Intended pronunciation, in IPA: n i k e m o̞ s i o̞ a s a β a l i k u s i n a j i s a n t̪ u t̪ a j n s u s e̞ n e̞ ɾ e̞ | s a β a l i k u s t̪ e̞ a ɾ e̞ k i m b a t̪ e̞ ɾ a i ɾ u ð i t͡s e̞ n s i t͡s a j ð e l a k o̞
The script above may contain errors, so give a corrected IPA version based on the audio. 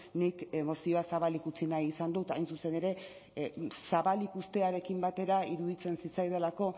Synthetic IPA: n i k e m o̞ s i o̞ a s a β a l i k u t͡s i n a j i s a n d̪ u t̪ a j n s u s e̞ n e̞ ɾ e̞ | s a β a l i k u s t̪ e̞ a ɾ e̞ k i m b a t̪ e̞ ɾ a i ɾ u ð i t͡s e̞ n s i t͡s a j ð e l a k o̞